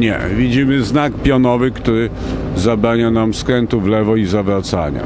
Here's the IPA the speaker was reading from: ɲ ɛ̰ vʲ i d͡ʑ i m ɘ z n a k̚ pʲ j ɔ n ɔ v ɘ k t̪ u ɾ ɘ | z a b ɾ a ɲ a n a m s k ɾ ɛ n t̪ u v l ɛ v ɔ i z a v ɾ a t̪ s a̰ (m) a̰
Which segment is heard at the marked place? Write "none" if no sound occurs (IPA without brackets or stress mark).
ɲ